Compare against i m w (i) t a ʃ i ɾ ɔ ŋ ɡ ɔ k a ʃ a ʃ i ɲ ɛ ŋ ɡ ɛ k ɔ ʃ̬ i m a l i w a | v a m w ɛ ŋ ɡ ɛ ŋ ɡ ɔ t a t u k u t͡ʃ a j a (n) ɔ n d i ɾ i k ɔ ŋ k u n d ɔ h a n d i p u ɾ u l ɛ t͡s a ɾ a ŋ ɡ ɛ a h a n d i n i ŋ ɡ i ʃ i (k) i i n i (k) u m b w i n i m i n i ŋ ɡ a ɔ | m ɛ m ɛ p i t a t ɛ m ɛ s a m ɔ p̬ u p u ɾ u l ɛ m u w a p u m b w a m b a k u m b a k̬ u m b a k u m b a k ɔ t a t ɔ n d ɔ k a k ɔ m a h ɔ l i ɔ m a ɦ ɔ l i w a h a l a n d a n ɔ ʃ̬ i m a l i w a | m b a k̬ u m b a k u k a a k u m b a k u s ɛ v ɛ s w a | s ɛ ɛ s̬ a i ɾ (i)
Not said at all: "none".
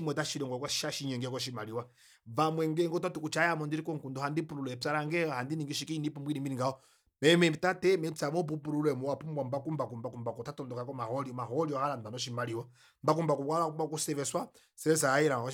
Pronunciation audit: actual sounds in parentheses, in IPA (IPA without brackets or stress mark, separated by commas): ɛ, m, k, p, a